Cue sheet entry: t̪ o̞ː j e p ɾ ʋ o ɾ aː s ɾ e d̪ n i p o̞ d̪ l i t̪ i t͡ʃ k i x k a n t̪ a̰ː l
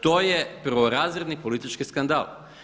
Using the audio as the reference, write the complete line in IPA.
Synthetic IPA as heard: t̪ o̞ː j e p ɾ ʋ o ɾ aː z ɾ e d̪ n i p o̞ l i t̪ i t͡ʃ k i s k a n d̪ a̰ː l